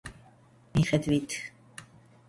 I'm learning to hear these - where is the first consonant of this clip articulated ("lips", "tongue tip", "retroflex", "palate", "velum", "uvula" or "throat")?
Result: lips